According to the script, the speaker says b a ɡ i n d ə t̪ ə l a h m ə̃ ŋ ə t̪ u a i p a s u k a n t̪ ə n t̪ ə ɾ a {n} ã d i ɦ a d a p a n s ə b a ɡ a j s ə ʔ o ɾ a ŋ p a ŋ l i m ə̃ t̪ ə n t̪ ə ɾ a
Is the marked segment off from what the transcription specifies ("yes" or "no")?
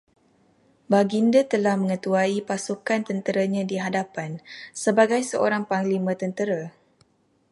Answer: yes